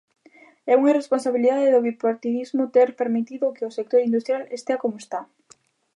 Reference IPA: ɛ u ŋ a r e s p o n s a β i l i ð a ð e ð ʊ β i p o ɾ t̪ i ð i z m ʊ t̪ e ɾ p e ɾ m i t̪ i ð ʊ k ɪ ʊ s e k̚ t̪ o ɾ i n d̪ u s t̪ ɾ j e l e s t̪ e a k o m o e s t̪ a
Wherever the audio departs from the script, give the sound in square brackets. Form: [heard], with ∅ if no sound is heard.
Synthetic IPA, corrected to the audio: ɛ u ŋ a r e s p o n s a β i l i ð a ð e ð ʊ β i p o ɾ t̪ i ð i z m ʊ t̪ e ɾ p e ɾ m i t̪ i ð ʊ k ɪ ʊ s e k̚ t̪ o ɾ i n d̪ u s t̪ ɾ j [a] l e s t̪ e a k o m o e s t̪ a